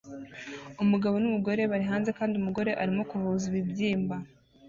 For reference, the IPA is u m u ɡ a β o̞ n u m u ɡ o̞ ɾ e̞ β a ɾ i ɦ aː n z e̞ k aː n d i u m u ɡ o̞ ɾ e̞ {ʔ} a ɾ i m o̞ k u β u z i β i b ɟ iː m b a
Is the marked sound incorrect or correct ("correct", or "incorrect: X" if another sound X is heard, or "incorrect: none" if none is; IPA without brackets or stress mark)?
correct